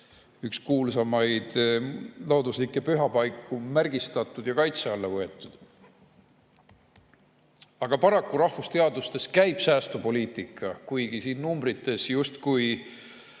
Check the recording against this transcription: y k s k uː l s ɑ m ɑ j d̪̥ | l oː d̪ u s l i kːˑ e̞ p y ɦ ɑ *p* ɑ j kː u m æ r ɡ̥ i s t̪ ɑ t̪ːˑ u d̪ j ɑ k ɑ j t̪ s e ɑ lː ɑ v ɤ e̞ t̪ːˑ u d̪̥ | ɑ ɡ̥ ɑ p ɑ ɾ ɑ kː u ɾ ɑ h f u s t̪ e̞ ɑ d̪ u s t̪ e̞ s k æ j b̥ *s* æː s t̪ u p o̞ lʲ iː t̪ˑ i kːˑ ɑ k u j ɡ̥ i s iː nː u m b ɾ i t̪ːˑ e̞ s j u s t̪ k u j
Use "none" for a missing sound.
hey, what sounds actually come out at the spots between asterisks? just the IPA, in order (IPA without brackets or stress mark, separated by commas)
p, s